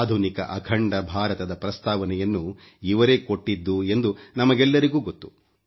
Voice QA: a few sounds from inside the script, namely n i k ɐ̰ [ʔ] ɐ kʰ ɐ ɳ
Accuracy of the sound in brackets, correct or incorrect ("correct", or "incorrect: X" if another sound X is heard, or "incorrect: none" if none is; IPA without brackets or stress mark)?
correct